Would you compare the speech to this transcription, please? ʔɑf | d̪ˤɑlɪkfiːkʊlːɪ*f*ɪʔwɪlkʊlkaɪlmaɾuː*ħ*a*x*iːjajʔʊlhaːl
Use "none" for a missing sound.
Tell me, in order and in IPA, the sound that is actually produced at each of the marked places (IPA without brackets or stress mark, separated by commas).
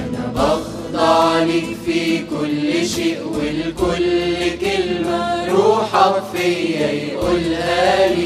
ʃ, ħ, f